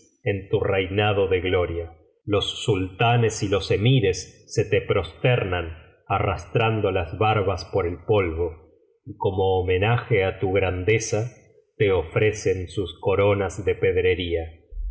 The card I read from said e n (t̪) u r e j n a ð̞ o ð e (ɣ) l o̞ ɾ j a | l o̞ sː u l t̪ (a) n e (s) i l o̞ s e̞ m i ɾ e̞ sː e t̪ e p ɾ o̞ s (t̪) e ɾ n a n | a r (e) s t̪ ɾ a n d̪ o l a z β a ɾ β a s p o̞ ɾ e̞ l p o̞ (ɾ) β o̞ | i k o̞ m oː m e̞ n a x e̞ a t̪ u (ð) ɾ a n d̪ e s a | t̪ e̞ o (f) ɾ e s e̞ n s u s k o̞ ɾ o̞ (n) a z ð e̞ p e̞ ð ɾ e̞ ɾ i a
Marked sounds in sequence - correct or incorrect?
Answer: correct, correct, correct, correct, correct, incorrect, incorrect, incorrect, correct, correct

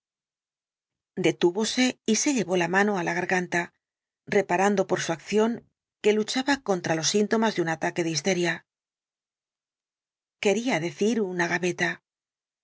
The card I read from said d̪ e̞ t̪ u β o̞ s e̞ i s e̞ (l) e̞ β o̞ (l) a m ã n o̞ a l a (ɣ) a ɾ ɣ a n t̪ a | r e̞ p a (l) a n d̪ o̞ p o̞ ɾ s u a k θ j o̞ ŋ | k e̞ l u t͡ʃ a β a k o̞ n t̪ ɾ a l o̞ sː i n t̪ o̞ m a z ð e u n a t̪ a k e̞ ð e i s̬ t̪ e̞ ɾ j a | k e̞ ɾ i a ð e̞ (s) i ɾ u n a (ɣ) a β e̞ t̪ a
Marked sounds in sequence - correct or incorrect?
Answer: incorrect, correct, correct, incorrect, incorrect, correct

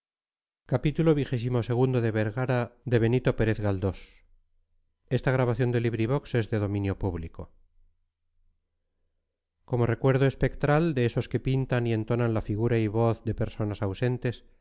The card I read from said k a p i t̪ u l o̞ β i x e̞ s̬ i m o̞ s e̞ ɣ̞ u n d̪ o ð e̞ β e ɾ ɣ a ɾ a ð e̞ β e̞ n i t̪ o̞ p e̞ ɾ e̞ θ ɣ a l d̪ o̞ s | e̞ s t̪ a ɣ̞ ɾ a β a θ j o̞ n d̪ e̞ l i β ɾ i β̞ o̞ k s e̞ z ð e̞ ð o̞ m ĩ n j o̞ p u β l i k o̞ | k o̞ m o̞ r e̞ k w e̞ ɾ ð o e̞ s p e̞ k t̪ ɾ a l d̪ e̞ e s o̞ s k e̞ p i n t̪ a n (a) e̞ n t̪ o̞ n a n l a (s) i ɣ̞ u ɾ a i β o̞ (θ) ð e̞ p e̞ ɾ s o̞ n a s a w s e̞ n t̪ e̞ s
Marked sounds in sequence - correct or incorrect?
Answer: incorrect, incorrect, correct

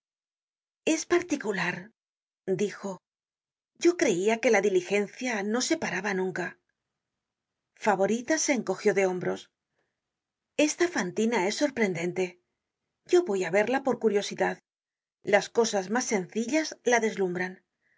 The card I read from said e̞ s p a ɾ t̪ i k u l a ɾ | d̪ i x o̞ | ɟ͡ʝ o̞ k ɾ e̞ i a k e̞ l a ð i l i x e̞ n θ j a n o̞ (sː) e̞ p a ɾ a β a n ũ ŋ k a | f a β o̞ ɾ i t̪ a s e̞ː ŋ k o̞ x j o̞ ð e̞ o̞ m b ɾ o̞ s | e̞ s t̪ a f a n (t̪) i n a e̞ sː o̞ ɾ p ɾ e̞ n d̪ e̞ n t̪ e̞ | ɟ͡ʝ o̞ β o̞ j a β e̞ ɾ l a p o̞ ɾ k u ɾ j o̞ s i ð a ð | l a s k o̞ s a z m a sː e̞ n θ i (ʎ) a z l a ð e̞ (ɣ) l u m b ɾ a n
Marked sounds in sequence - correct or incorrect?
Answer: incorrect, correct, correct, incorrect

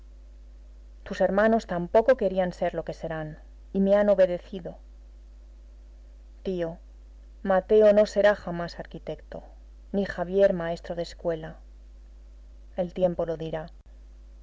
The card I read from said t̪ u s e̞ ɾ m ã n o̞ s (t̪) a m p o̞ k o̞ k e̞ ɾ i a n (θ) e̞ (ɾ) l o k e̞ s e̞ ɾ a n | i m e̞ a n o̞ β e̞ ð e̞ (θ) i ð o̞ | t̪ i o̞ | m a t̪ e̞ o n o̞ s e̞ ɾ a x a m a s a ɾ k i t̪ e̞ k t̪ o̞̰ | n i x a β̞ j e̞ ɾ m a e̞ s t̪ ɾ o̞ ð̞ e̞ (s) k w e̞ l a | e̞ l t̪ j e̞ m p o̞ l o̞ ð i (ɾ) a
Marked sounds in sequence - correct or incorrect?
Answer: correct, incorrect, correct, correct, correct, correct

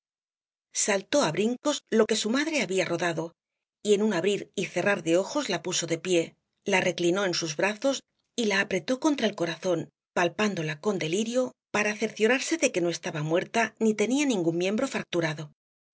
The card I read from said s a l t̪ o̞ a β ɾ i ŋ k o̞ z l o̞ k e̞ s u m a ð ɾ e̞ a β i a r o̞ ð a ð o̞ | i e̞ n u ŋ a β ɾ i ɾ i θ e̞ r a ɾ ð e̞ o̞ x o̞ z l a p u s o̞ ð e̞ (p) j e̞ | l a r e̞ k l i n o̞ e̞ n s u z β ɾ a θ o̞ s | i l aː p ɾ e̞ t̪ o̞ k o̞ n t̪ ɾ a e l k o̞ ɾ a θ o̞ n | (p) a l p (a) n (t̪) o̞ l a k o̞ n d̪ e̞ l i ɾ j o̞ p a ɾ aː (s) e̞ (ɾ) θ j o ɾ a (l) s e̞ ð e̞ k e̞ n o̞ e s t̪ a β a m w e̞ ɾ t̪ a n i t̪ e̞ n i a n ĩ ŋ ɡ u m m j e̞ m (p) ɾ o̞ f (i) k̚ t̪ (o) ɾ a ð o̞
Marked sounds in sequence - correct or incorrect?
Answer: correct, correct, correct, incorrect, incorrect, correct, incorrect, incorrect, incorrect, incorrect

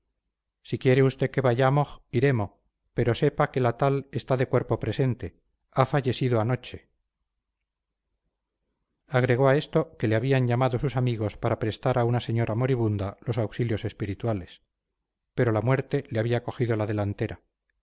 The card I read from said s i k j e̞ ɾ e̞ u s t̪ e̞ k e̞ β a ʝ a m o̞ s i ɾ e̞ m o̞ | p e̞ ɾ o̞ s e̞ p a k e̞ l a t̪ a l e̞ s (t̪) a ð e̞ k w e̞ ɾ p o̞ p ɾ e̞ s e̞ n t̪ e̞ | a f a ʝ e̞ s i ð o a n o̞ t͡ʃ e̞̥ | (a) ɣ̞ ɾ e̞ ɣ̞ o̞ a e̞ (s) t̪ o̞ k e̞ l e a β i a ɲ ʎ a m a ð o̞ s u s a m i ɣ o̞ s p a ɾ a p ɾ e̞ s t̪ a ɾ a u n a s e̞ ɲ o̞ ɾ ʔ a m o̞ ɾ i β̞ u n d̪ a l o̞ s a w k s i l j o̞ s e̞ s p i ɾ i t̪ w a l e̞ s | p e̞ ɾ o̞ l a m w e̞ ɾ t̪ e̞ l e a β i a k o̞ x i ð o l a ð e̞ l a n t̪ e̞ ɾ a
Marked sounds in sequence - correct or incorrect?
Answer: correct, correct, correct

